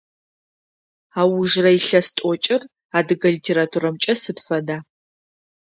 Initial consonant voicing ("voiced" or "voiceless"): voiced